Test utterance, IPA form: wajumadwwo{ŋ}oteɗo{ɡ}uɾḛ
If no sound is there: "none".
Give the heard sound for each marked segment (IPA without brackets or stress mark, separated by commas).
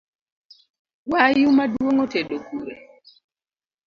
ŋ, k